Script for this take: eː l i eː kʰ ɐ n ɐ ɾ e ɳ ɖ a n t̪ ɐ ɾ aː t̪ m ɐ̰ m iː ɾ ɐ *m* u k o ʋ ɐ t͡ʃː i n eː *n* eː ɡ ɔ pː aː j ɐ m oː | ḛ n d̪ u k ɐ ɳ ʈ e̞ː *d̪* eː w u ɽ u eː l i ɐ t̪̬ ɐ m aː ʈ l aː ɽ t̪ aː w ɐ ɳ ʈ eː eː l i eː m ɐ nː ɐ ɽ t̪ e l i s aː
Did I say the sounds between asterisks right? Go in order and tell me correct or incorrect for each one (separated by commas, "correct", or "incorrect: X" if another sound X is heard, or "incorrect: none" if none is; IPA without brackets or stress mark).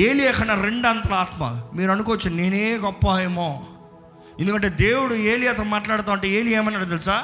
incorrect: n, correct, correct